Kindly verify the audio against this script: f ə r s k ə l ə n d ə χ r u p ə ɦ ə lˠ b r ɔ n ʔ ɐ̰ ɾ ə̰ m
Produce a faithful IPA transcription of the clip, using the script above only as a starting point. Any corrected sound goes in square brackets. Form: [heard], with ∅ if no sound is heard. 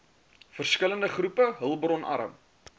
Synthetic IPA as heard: f ə r s k ə l ə n d ə χ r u p ə ɦ ə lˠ b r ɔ n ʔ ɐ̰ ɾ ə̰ m